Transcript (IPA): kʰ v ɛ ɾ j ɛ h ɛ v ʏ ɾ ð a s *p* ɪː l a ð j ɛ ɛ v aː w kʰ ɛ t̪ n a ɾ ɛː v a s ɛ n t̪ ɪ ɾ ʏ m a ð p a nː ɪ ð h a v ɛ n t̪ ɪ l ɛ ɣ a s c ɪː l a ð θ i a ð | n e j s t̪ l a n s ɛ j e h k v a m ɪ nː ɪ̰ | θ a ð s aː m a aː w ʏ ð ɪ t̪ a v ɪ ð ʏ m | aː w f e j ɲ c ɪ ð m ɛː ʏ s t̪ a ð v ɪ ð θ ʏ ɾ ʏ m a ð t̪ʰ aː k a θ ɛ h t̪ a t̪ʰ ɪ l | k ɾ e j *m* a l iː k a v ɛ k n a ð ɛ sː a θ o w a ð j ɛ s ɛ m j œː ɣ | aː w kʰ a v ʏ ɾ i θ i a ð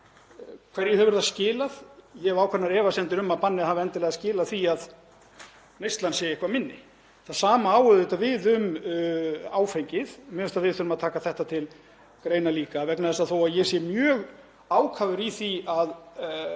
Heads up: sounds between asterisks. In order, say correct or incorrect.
incorrect: c, incorrect: n

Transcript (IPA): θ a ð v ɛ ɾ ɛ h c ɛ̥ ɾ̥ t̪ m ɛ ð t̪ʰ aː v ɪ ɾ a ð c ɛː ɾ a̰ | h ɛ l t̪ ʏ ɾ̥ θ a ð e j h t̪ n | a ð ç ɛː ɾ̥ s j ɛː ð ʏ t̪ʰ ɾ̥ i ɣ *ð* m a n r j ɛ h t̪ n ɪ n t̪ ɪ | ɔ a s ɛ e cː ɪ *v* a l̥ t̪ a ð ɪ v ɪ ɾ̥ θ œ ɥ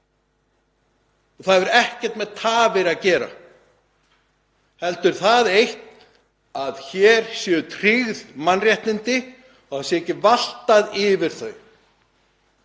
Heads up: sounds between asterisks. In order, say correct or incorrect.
correct, correct

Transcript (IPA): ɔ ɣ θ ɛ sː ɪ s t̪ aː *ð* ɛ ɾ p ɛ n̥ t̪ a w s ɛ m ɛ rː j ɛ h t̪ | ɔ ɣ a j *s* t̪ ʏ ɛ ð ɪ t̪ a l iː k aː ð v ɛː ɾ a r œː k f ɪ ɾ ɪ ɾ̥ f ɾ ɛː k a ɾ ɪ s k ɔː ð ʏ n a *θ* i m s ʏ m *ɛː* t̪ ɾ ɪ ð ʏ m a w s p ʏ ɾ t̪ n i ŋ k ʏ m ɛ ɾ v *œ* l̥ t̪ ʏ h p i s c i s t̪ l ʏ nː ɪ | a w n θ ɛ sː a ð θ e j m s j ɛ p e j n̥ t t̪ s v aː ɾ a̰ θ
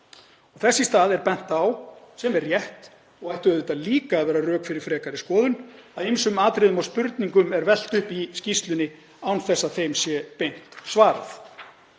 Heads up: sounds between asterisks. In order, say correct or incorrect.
correct, incorrect: h, incorrect: ð, incorrect: aː, incorrect: ɛ

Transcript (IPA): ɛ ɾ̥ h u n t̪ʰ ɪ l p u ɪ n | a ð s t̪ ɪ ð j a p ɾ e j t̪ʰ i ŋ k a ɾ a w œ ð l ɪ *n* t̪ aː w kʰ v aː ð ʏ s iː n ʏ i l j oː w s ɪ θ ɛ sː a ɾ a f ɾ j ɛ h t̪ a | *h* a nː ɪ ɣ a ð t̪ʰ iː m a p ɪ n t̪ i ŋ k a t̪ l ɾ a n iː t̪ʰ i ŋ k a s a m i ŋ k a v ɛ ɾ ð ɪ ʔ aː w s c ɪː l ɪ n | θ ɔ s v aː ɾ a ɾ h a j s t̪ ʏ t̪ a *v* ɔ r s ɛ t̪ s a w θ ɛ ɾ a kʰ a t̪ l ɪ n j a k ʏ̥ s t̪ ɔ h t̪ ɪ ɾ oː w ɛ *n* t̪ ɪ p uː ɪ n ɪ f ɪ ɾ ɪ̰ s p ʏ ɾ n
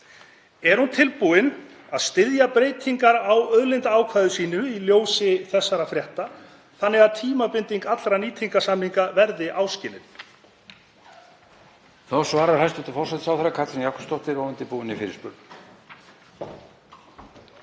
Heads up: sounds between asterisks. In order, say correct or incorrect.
correct, incorrect: θ, incorrect: f, correct

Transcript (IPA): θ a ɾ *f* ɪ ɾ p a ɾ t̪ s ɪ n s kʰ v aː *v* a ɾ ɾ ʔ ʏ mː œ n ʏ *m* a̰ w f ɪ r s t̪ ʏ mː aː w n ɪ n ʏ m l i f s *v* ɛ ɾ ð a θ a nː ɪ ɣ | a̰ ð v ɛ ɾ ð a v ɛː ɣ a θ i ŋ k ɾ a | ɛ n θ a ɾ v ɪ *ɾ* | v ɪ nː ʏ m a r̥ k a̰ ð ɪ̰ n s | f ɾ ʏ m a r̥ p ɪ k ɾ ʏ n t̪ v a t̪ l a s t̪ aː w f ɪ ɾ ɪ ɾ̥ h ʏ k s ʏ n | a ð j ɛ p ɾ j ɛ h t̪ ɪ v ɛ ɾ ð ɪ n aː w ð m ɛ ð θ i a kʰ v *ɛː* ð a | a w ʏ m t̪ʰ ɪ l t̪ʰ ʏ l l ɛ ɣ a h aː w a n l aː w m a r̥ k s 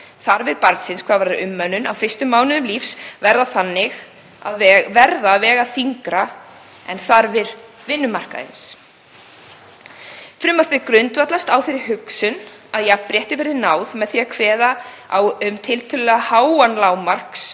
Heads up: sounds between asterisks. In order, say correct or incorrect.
incorrect: v, correct, incorrect: n, correct, correct, correct

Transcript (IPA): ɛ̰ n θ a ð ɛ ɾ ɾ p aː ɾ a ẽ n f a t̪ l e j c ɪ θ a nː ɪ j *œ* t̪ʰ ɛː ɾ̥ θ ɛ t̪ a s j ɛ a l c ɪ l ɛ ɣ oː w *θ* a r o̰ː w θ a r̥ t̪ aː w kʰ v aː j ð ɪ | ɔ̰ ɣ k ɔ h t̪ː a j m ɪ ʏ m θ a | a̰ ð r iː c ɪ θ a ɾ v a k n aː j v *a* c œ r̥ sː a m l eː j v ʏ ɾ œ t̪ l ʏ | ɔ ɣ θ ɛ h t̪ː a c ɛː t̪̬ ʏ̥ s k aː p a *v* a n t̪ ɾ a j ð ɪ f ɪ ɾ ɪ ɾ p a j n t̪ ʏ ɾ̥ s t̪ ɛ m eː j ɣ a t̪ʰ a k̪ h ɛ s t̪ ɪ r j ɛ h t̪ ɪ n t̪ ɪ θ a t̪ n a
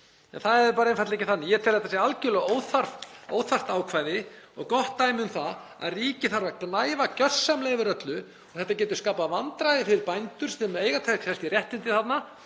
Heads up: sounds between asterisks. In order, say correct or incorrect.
incorrect: ɛ, correct, correct, correct

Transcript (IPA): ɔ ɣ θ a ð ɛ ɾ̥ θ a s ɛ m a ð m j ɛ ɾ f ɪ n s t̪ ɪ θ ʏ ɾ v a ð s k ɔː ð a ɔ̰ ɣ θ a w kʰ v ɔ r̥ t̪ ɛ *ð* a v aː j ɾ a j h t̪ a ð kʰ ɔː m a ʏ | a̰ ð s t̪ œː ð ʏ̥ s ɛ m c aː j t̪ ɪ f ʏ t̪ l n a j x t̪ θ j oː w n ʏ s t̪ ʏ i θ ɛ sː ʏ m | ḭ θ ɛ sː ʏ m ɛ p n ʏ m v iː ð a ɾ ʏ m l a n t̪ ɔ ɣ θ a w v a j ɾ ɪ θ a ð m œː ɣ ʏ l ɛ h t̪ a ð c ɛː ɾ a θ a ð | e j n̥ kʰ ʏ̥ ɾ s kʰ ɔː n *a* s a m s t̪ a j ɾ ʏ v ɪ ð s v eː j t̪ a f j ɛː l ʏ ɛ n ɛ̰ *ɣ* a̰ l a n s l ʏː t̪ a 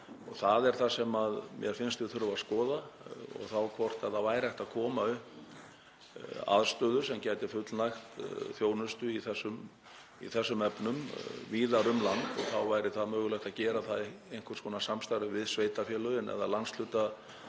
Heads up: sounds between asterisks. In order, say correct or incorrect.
correct, correct, incorrect: ð

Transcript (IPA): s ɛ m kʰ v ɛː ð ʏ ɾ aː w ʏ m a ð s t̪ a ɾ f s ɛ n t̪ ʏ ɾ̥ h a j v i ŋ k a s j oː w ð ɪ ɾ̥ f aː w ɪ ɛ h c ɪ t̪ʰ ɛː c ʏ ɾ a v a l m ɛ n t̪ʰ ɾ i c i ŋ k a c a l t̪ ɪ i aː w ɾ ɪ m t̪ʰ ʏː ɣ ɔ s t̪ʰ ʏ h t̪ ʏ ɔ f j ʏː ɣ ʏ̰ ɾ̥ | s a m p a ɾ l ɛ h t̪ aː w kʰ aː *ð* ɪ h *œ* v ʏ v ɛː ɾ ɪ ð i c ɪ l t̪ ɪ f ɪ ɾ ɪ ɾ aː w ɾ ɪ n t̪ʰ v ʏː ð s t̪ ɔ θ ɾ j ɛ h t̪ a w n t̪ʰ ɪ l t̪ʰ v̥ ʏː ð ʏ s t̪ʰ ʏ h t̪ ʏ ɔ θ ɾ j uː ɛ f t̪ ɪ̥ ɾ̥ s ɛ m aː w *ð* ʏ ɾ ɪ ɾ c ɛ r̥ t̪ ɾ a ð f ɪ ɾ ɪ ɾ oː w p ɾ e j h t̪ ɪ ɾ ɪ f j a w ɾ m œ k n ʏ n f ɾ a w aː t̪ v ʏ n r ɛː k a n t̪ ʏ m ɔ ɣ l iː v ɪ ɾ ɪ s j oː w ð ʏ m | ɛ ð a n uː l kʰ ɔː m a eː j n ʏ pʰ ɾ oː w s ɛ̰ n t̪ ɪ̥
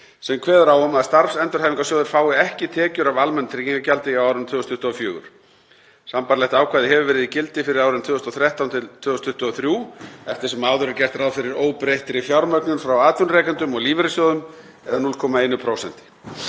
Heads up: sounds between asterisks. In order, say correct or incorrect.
correct, incorrect: ɛ, correct

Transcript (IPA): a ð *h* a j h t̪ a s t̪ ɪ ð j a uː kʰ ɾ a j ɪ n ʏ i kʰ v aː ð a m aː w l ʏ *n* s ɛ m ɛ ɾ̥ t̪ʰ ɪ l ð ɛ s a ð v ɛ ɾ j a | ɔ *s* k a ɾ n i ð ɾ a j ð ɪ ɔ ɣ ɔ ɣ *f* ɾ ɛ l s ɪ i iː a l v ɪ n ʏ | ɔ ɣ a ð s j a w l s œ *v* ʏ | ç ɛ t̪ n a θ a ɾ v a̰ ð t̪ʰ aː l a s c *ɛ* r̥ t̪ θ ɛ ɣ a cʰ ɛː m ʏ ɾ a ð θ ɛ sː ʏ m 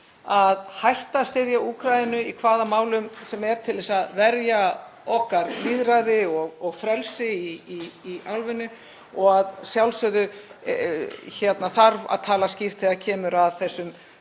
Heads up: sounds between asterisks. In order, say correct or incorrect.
correct, incorrect: m, incorrect: h, correct, incorrect: ð, incorrect: i

